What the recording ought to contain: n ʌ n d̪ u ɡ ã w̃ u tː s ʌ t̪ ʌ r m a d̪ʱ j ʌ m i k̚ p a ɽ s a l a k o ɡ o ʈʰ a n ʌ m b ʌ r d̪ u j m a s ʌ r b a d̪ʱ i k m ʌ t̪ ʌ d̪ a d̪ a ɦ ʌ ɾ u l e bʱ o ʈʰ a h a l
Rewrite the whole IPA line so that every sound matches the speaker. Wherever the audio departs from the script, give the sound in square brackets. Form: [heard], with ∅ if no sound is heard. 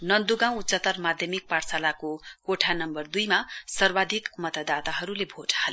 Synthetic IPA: n ʌ n d̪ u ɡ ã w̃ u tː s ʌ t̪ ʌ r m a d̪ʱ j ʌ m i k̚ p a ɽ s a l a k o [k] o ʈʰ a n ʌ m b ʌ r d̪ u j m a s ʌ r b a d̪ʱ i k m ʌ t̪ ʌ d̪ a [t̪] a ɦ ʌ ɾ u l e bʱ o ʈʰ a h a l